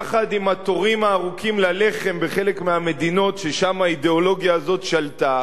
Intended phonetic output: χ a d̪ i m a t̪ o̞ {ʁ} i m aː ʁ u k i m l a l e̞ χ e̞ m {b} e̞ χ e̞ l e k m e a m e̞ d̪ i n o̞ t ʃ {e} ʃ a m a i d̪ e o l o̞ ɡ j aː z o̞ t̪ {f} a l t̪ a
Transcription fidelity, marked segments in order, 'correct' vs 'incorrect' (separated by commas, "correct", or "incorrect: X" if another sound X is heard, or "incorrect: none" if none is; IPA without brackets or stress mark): correct, correct, correct, incorrect: ʃ